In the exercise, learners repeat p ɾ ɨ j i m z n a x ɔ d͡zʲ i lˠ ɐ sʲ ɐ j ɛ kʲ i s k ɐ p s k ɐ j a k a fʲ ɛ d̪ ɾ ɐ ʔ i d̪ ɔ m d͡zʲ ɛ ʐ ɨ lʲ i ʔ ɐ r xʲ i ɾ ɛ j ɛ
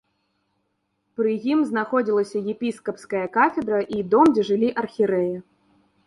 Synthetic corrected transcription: p ɾ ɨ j i m z n a x ɔ d͡zʲ i lˠ ɐ sʲ ɐ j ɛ pʲ i s k ɐ p s k ɐ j ɐ k a fʲ ɛ d̪ ɾ ɐ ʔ i d̪ ɔ m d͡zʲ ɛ ʐ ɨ lʲ i ʔ ɐ r xʲ i ɾ ɛ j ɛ